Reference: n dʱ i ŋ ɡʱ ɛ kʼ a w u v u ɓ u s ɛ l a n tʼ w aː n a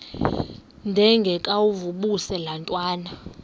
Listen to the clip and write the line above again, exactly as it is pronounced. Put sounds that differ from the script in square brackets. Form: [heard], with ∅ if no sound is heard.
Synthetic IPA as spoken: n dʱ [ɛ] ŋ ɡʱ ɛ kʼ a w u v u ɓ u s ɛ l a n tʼ w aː n a